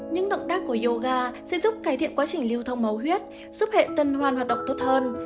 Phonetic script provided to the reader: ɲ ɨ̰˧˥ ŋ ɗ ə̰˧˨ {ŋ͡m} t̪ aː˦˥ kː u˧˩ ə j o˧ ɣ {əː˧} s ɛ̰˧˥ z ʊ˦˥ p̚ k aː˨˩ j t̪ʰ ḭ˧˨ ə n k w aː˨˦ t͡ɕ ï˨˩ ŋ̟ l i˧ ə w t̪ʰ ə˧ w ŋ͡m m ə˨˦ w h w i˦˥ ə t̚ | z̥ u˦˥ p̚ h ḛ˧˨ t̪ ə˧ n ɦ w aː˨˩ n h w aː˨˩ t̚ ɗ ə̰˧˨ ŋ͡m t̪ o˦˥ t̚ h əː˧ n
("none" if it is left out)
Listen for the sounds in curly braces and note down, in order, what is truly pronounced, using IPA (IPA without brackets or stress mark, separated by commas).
ŋ͡m, aː˧